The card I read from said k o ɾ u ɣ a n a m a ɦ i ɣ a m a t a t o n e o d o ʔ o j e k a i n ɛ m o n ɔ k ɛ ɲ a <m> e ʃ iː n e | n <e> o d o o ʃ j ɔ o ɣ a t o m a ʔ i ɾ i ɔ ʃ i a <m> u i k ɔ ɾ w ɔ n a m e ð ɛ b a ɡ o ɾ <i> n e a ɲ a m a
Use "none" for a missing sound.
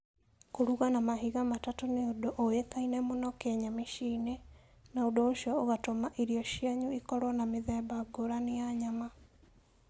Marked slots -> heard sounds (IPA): m, a, ɲ, a

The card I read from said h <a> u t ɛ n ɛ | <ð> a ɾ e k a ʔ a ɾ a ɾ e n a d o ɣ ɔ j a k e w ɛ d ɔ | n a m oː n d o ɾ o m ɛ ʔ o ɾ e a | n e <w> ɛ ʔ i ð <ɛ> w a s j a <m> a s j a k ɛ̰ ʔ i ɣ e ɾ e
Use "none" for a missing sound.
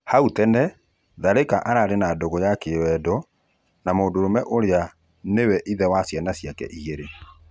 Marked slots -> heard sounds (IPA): a, ð, w, ɛ, n

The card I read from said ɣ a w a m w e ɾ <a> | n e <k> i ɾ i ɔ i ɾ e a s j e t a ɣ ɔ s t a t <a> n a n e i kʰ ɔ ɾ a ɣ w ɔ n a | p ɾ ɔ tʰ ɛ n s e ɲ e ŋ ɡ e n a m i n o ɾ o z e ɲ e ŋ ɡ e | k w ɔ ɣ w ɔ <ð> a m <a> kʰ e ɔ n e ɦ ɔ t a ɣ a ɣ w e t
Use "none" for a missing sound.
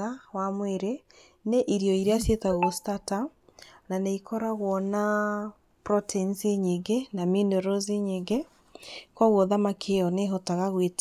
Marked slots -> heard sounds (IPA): e, ʔ, a, ð, a

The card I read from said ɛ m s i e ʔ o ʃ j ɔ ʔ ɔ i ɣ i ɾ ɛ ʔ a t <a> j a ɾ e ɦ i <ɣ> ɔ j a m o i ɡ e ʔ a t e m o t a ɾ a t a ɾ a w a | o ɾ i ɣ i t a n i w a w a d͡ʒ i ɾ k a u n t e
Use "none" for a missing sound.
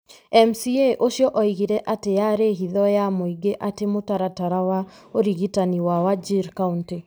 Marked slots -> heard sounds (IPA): e, ð

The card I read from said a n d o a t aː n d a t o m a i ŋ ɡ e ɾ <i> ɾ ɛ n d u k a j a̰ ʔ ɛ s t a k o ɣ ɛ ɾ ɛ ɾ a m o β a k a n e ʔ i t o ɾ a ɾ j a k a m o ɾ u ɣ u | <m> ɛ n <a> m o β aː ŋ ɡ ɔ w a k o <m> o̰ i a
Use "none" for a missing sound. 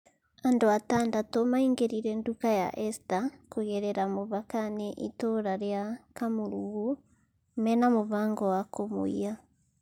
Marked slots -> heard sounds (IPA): i, m, a, m

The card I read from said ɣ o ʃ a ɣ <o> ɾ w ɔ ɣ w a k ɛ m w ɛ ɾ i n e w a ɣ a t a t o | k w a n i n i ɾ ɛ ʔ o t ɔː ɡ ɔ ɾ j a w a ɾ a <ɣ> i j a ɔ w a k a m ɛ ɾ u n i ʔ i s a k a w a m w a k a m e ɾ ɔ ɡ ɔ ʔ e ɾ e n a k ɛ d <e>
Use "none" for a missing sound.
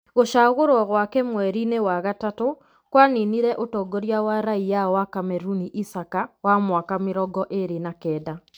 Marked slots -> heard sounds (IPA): o, none, a

